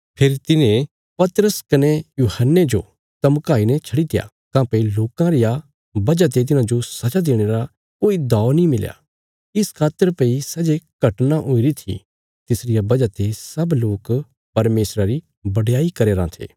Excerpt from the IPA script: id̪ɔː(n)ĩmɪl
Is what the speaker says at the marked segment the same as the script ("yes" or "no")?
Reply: yes